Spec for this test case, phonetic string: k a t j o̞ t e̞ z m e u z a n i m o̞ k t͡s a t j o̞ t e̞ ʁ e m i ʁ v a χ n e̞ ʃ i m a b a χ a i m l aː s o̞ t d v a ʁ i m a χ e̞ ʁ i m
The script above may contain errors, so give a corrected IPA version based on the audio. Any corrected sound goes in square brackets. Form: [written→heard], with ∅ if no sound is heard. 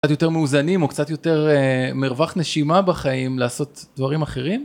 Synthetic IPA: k a t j o̞ t e̞ [z→ʁ] m e u z a n i m o̞ k t͡s a t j o̞ t e̞ ʁ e m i ʁ v a χ n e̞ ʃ i m a b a χ a i m l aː s o̞ t d v a ʁ i m a χ e̞ ʁ i m

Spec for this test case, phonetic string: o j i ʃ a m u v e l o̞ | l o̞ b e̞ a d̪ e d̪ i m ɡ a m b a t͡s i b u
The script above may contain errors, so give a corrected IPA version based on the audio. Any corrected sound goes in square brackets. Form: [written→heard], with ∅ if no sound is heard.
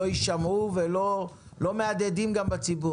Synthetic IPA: o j i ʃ a m u v e l o̞ | l o̞ [b→m] e̞ a d̪ e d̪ i m ɡ a m b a t͡s i b u

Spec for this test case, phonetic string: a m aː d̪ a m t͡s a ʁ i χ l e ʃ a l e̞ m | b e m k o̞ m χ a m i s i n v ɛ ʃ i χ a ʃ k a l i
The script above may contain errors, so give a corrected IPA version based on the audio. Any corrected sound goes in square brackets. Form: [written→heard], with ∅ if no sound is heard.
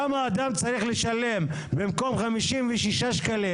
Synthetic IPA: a m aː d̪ a m t͡s a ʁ i χ l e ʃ a l e̞ m | b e m k o̞ m χ a m i [s→ʃ] i [n→m] v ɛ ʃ i [χ→ʃ] a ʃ k a l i

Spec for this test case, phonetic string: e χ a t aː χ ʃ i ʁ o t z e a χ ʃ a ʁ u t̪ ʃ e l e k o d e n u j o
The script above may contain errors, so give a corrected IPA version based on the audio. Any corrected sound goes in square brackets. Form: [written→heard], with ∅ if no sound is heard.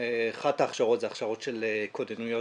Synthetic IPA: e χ a t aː χ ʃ [i→a] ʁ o t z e a χ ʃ a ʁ [u→o] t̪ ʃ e l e k o d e n u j o

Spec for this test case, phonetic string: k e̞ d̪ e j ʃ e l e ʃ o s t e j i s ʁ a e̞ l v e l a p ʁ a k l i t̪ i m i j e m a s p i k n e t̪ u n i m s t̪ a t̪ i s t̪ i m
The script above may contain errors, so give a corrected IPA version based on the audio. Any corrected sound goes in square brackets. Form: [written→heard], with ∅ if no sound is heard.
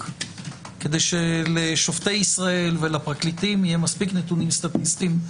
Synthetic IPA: k e̞ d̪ e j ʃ e l e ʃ o [s→f] t e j i s ʁ a e̞ l v e l a p ʁ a k l i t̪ i m i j e m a s p i k n e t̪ u n i m s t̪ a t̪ i s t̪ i m

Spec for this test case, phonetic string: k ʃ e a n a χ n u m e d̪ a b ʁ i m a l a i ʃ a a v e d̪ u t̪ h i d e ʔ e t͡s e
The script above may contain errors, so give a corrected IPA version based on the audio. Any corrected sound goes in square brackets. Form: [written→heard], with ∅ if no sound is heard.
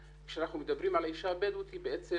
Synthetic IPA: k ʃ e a n a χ n u m e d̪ a b ʁ i m a l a i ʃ a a [v→b] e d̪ u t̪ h i [d→b] e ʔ e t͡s e

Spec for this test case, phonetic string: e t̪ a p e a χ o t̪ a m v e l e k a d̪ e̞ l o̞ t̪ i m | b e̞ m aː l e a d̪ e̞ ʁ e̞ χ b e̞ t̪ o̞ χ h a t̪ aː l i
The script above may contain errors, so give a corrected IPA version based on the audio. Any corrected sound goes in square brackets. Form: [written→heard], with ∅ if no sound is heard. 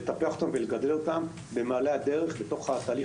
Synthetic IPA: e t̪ a p e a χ o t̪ a m v e l e [k→ɡ] a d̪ e̞ l o̞ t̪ [i→a] m | b e̞ m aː l e a d̪ e̞ ʁ e̞ χ b e̞ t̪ o̞ χ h a t̪ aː l i

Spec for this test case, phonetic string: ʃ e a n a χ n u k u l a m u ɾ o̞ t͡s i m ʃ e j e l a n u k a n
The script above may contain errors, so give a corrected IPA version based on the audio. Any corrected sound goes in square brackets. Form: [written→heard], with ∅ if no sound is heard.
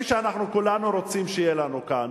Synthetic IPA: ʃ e a n a χ n u k u l a [m→n] u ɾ o̞ t͡s i m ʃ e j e l a n u k a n

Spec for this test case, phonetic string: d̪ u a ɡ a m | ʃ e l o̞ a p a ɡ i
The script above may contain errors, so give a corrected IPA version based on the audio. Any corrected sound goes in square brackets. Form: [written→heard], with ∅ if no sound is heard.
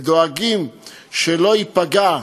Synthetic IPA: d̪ [u→o] a ɡ [a→i] m | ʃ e l o̞ [a→i] p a ɡ [i→a]

